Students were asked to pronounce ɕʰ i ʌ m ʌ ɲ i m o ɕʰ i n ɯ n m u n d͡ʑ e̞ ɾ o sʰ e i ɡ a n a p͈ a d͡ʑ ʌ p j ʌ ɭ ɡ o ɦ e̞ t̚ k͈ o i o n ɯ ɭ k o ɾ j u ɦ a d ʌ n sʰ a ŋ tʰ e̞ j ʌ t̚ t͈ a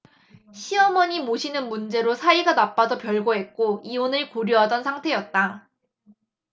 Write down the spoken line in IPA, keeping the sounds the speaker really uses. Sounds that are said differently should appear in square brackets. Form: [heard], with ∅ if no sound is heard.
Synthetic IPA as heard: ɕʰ i ʌ m ʌ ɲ i m o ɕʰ i n ɯ n m u n d͡ʑ e̞ ɾ o sʰ [a] i ɡ a n a p͈ a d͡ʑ ʌ p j ʌ ɭ ɡ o ɦ e̞ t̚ k͈ o i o n ɯ ɭ k o ɾ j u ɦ a d ʌ n sʰ a ŋ tʰ e̞ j ʌ t̚ t͈ a